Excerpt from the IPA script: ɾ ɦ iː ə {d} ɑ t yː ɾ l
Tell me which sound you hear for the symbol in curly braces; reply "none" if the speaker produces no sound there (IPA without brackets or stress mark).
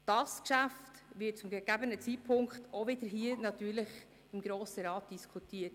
n